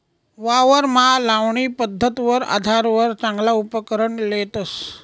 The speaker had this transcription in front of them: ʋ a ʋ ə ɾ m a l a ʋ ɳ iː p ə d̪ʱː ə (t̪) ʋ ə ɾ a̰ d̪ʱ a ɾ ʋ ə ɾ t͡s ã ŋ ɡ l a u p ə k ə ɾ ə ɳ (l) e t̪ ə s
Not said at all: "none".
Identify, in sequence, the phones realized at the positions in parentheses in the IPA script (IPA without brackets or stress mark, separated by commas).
t̪, l